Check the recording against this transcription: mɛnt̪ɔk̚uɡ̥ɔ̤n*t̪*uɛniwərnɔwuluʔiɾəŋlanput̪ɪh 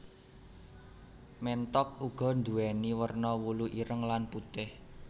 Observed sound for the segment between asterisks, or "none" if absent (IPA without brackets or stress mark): d̪